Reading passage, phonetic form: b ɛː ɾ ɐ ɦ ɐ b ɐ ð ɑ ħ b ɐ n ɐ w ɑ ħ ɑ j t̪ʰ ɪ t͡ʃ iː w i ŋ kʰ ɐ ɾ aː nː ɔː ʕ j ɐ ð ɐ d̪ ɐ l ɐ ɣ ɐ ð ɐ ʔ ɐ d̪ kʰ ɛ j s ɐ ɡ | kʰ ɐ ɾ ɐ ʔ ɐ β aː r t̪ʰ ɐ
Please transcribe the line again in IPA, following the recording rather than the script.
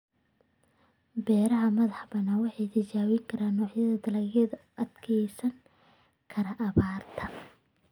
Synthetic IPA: b ɛː ɾ ɐ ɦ ɐ m ɐ ð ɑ ħ b ɐ n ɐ w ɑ ħ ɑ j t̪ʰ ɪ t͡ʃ aː w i ŋ kʰ ɐ ɾ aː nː ɔː ʕ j ɐ ð ɐ d̪ ɐ l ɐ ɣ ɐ ð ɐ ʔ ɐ d̪ kʰ ɛ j s ɐ ŋ | kʰ ɐ ɾ ɐ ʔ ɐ β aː r t̪ʰ ɐ

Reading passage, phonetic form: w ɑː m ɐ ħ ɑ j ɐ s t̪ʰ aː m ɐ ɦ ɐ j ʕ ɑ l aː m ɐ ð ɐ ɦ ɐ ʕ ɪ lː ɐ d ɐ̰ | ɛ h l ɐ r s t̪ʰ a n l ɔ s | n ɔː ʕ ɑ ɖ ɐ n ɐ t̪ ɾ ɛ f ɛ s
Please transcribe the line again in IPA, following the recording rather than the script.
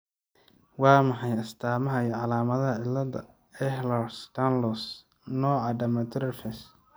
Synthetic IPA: w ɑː m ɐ ħ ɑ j ɐ s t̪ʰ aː m ɐ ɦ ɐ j ʕ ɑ l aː m ɐ ð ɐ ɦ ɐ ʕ ɪ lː ɐ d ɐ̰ | ɛ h l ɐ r s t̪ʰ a n l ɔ s | n ɔː ʕ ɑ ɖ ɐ m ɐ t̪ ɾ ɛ f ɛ s

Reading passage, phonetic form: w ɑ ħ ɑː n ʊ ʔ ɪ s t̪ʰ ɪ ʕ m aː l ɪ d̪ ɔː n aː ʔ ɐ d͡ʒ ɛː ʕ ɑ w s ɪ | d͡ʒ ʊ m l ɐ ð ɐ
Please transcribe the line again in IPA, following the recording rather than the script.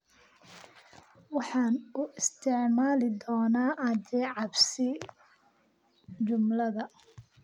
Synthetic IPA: w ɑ ħ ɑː n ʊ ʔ ɪ s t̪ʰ ɪ ʕ m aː l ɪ d̪ ɔː n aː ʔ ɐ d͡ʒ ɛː ʕ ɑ b s ɪ | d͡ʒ ʊ m l ɐ ð ɐ

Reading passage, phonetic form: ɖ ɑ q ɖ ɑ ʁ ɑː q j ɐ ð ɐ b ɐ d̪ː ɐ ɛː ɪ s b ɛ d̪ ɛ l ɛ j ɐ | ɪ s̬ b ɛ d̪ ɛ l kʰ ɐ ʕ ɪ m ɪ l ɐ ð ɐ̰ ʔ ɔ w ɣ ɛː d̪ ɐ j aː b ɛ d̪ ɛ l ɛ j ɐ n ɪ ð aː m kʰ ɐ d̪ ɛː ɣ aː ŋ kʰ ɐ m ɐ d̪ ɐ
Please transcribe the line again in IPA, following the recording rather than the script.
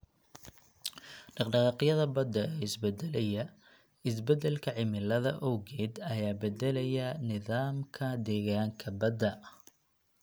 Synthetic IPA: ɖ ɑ q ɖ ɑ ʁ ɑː q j ɐ ð ɐ b ɐ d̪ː ɐ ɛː ɪ s b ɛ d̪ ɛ l ɛ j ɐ | ɪ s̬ b ɛ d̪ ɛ l kʰ ɐ ʕ ɪ m ɪ l ɐ ð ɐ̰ ʔ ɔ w ɣ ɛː d̪ ɐ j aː b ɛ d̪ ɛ l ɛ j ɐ n ɪ ð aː m kʰ ɐ d̪ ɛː ɣ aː ŋ kʰ ɐ b ɐ d̪ ɐ

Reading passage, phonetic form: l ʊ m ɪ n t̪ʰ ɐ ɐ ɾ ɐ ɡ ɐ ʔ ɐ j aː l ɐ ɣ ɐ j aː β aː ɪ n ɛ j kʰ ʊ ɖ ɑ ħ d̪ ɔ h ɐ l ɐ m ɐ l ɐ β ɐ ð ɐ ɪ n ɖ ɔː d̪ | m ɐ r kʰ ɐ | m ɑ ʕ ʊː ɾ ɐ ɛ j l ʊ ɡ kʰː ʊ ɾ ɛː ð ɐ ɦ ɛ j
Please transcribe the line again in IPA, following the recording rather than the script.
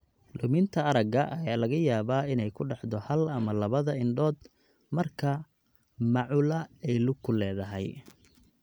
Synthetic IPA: l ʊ m ɪ n t̪ʰ ɐ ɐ ɾ ɐ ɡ ɐ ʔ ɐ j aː l ɐ ɣ ɐ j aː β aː ɪ n ɛ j kʰ ʊ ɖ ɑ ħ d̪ ɔ h ɐ l ɐ m ɐ l ɐ β ɐ ð ɐ ɪ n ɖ ɔː d̪ | m ɐ r kʰ ɐ | m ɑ ʕ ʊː l ɐ ɛ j l ʊ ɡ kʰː ʊ l ɛː ð ɐ ɦ ɛ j

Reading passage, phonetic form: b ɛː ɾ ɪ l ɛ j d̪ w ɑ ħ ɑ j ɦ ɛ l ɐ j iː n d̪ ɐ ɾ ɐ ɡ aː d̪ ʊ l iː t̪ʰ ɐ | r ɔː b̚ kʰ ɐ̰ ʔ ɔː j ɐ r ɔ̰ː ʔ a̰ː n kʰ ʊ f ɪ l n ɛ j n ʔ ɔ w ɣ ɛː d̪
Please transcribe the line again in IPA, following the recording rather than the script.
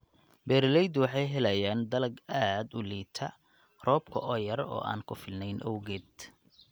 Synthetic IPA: b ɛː ɾ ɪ l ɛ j d̪ w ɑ ħ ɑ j ɦ ɛ l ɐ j aː n d̪ ɐ l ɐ ɡ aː d̪ ʊ l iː t̪ʰ ɐ | r ɔː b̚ kʰ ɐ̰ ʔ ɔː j ɐ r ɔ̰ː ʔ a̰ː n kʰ ʊ f ɪ l n ɛ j n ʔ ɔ w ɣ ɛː d̪

